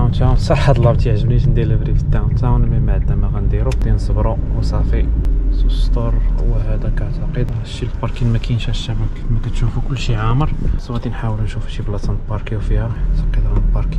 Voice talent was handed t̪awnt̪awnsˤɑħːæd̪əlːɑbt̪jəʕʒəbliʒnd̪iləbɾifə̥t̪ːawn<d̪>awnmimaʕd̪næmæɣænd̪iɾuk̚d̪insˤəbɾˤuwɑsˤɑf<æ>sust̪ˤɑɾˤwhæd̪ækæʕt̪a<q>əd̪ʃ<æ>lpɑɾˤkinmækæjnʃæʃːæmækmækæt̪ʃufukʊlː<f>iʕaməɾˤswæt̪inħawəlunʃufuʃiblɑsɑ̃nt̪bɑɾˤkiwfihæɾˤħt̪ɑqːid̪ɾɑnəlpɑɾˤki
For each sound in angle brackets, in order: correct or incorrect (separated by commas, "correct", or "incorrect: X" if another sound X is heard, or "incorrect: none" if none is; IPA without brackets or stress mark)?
incorrect: t̪, incorrect: i, correct, incorrect: i, incorrect: ʃ